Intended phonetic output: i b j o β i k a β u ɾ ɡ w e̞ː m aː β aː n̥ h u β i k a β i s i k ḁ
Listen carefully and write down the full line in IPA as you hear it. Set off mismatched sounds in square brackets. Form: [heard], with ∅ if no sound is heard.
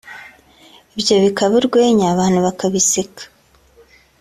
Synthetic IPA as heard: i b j o β i k a β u ɾ ɡ w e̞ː [ɲ] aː β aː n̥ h u β [a] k a β i s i k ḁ